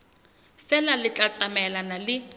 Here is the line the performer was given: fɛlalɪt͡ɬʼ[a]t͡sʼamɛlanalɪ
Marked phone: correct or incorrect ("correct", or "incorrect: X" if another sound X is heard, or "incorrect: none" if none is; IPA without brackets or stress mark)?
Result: correct